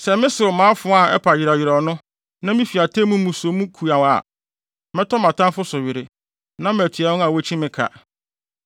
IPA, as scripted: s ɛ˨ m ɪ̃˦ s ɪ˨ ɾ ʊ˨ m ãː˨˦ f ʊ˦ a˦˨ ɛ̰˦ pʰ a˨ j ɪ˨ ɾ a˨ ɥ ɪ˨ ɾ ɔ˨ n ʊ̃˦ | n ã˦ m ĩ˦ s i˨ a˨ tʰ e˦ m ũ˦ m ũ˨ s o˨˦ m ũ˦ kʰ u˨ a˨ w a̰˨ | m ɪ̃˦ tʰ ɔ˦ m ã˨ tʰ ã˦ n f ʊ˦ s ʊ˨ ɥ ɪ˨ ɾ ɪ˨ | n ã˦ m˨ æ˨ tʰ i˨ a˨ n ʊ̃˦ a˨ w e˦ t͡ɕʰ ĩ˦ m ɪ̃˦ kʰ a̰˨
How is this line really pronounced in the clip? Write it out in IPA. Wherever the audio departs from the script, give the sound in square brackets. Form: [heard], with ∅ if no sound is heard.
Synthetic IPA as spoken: s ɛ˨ m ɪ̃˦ s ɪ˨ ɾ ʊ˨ m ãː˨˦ f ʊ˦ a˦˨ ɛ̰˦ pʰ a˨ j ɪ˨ ɾ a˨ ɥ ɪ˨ ɾ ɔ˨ n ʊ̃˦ | n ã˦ m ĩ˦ [f] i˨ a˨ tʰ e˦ m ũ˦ m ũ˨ s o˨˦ m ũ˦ kʰ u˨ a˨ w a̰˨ | m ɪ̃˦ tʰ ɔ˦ m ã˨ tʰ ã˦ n f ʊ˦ s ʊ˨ ɥ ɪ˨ ɾ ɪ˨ | n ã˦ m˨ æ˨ tʰ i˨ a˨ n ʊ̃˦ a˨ w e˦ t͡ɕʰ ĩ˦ m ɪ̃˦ kʰ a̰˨